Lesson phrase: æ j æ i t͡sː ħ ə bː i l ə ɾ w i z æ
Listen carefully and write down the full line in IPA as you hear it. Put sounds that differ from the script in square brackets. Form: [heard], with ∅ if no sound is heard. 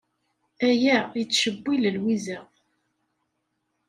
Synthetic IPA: æ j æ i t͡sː [ʃ] ə bː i l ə [l] w i z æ

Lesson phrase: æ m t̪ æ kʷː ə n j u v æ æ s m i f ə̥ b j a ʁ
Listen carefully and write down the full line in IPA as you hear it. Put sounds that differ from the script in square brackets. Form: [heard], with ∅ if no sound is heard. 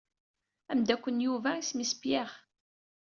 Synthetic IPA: æ m [d̪] æ kʷː ə n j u v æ [i] s m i [s] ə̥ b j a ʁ

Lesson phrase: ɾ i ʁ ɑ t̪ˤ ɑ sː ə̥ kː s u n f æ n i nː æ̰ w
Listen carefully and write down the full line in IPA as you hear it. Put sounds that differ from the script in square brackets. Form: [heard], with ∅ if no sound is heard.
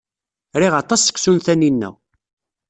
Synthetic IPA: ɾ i ʁ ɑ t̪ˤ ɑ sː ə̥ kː s u n [θ] æ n i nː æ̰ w

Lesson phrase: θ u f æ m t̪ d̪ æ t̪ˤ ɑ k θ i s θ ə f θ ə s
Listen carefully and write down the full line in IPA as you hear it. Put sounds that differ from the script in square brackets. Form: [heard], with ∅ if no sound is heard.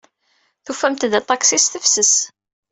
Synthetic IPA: θ u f æ m t̪ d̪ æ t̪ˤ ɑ k [s] i s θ ə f [s] ə s

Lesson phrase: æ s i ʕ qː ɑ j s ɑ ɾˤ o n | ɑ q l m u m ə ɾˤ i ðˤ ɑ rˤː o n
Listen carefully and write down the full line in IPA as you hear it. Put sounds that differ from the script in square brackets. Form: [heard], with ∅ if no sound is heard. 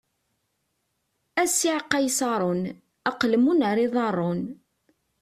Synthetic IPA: æ s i ʕ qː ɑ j s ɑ ɾˤ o n | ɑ q l m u [n] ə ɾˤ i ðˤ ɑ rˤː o n

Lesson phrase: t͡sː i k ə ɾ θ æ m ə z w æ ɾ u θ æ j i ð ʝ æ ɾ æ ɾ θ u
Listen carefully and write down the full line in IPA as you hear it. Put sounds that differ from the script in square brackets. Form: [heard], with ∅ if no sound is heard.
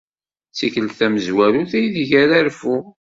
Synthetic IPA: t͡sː i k ə [l] θ æ m ə z w æ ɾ u θ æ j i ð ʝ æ ɾ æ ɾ [f] u

